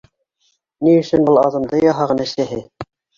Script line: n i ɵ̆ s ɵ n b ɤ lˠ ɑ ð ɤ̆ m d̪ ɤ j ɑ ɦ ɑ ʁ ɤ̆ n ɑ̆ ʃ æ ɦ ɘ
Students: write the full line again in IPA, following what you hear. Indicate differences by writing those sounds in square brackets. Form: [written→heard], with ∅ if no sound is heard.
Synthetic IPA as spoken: n i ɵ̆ s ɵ n b ɤ lˠ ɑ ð ɤ̆ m d̪ ɤ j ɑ ɦ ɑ ʁ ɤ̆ n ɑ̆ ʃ æ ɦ ɘ